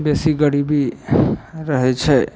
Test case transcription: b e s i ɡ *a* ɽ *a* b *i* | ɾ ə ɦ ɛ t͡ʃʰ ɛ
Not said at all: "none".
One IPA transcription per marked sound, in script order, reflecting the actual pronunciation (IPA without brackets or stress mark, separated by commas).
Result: ə, i, i